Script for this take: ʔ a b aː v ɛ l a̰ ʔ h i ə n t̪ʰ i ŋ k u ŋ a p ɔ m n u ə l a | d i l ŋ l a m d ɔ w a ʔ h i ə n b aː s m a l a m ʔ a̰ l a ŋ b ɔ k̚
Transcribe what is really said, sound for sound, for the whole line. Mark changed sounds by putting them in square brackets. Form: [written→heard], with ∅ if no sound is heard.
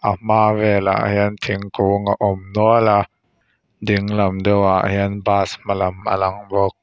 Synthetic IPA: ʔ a [b→m] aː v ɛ l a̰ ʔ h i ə n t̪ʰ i ŋ k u ŋ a [p→ʔ] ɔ m n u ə l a | d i [l→∅] ŋ l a m d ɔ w a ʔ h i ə n b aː s m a l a m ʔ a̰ l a ŋ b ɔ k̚